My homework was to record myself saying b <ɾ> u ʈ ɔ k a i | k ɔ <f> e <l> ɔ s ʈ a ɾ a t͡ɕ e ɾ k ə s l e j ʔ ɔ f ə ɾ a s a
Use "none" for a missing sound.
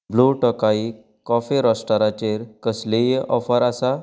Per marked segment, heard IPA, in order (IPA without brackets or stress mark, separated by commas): l, f, ɾ